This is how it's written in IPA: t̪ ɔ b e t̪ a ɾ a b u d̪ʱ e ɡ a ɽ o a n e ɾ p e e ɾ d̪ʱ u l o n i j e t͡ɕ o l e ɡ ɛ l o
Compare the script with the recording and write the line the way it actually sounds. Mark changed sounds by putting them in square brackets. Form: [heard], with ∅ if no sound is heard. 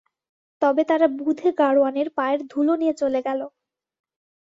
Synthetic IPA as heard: t̪ ɔ b e t̪ a ɾ a b u d̪ʱ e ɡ a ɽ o a n e ɾ p [a] e ɾ d̪ʱ u l o n i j e t͡ɕ o l e ɡ ɛ l o